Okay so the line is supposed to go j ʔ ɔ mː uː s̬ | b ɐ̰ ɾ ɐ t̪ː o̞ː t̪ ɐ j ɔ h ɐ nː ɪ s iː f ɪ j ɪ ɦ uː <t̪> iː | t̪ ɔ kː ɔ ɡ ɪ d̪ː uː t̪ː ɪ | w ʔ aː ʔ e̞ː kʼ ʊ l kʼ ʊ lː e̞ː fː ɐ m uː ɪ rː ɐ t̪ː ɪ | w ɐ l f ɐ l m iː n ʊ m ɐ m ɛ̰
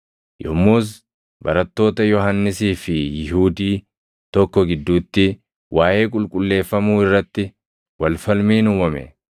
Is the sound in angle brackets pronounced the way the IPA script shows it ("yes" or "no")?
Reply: no